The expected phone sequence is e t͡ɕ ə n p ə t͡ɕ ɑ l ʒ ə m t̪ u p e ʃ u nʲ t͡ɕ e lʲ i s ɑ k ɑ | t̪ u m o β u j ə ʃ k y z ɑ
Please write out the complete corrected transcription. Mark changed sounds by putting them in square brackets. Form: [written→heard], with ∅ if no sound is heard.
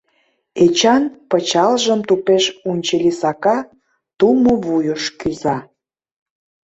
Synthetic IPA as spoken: e t͡ɕ [ə→ɑ] n p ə t͡ɕ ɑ l ʒ ə m t̪ u p e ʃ u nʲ t͡ɕ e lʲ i s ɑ k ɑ | t̪ u m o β u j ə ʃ k y z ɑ